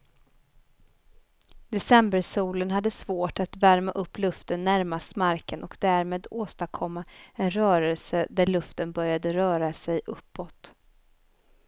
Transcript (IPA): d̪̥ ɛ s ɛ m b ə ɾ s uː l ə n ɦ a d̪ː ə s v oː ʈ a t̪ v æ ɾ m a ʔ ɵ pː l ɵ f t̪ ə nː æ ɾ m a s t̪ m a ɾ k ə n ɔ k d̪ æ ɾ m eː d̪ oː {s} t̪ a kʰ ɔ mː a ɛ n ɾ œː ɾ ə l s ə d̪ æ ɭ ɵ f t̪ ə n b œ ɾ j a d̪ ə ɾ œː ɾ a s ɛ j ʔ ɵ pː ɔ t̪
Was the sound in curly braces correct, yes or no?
yes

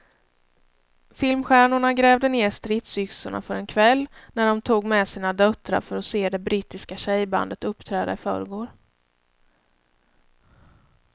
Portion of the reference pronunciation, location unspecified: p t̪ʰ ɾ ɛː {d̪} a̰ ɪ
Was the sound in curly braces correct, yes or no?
yes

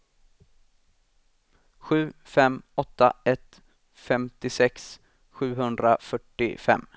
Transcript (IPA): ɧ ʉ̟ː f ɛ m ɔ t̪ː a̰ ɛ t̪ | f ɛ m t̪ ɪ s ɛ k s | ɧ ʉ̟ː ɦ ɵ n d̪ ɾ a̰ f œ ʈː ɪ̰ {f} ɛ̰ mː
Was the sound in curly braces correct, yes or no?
yes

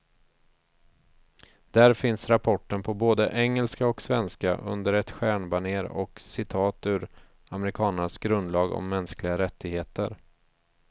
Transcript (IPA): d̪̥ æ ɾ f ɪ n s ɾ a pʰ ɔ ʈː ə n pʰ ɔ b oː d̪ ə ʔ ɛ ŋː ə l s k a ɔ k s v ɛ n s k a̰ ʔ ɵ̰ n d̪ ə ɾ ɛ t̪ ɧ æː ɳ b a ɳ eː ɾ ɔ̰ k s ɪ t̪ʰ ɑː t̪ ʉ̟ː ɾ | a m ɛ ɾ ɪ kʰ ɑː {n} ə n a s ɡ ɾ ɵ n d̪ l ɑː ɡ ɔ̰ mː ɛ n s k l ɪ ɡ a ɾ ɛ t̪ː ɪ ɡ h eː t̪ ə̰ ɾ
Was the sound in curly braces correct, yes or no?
yes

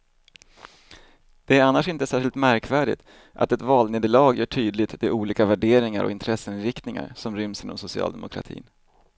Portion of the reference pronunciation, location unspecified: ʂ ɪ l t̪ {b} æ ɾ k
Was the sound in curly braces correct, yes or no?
no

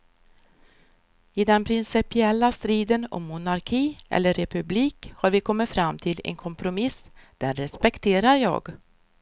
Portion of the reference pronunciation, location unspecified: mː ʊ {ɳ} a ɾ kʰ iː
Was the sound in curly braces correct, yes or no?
no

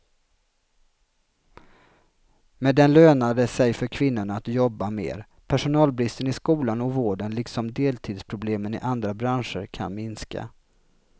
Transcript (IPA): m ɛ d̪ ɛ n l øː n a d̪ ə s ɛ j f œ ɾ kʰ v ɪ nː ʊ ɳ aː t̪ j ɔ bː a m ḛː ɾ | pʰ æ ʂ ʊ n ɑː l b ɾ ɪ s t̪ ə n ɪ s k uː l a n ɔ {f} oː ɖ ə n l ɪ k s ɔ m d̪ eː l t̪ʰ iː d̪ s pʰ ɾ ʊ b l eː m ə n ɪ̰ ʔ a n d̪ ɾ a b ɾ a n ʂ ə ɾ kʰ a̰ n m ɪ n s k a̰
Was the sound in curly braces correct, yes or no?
no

